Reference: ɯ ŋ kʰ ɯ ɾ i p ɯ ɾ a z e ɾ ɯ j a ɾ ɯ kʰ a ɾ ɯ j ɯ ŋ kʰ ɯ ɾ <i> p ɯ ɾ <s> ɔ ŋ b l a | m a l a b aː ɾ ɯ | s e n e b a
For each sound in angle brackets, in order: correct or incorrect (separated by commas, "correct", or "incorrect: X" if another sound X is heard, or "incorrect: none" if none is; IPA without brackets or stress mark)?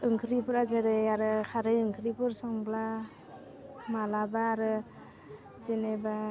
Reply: correct, correct